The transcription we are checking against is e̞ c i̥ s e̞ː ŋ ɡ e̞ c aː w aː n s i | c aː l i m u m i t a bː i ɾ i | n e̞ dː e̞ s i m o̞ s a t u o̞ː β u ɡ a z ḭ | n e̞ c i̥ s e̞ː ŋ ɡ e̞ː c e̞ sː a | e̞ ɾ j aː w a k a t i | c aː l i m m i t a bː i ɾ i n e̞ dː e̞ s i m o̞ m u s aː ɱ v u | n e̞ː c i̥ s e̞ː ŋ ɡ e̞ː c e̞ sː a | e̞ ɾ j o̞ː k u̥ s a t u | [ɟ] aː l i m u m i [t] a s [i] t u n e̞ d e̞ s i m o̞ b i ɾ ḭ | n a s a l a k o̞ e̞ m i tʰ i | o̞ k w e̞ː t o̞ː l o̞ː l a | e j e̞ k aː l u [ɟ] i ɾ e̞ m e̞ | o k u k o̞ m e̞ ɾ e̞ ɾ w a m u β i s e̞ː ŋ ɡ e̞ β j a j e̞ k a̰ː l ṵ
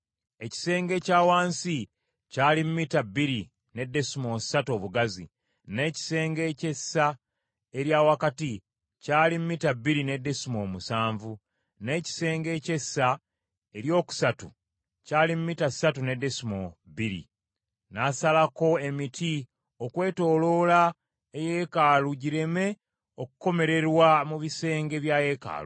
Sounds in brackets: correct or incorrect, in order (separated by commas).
incorrect, correct, incorrect, correct